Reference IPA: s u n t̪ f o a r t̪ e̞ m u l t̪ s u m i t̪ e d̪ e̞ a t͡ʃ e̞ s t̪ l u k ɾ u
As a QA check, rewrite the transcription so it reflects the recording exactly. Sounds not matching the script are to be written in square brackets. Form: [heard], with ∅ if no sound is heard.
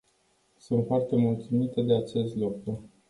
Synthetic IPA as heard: s u n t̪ f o a r t̪ e̞ m u l t̪ s u m i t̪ e d̪ e̞ a t͡ʃ e̞ s t̪ l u k ɾ u